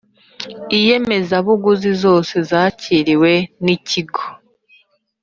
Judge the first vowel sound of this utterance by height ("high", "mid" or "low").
high